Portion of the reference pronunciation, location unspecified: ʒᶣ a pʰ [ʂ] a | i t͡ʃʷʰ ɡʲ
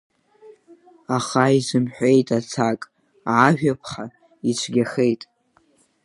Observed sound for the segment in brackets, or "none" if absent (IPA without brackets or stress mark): χ